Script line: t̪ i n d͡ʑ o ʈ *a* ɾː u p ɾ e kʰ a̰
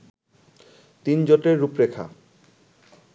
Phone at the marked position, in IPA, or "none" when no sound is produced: e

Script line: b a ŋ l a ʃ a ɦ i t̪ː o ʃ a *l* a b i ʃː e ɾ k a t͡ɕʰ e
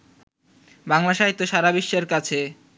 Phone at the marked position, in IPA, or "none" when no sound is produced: ɾ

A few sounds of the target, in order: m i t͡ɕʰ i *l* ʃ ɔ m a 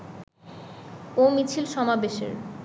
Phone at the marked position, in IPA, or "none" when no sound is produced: l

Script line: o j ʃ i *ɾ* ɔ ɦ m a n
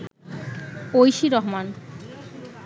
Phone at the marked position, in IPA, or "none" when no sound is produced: ɾ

